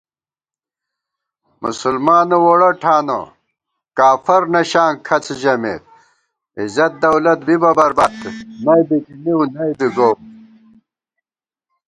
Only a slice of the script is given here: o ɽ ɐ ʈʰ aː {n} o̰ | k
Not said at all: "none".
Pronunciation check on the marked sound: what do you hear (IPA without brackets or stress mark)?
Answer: n